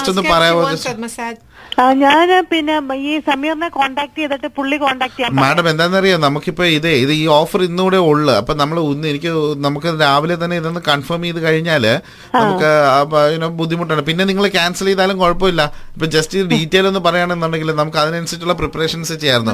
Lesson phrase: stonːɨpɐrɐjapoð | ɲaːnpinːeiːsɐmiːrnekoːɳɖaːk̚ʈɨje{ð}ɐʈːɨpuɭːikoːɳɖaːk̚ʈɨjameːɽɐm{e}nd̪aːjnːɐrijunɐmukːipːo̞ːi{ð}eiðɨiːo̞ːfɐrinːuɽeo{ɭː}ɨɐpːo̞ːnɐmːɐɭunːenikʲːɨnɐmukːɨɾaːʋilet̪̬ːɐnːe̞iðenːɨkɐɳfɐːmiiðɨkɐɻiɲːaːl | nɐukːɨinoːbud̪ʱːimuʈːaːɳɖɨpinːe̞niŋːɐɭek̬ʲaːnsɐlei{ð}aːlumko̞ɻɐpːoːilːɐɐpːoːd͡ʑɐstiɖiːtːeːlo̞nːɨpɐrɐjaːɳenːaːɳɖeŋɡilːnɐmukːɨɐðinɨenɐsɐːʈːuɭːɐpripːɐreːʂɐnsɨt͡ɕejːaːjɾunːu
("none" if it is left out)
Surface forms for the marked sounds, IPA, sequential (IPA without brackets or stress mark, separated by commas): ð, e, ð, ɭː, ð